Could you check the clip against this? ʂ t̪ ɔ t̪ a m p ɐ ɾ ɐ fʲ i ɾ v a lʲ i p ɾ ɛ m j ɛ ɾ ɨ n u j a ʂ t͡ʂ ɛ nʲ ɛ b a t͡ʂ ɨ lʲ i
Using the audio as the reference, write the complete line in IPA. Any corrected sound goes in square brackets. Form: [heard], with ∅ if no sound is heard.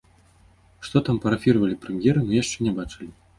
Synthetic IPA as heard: ʂ t̪ ɔ t̪ a m p ɐ ɾ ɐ fʲ i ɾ v [ɐ] lʲ i p ɾ ɛ m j ɛ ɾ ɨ n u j a ʂ t͡ʂ ɛ nʲ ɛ b a t͡ʂ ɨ lʲ i